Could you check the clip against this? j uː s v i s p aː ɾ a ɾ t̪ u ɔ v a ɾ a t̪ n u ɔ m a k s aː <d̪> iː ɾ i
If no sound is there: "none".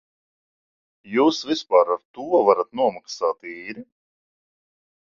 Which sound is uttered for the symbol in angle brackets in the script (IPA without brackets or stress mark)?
t̪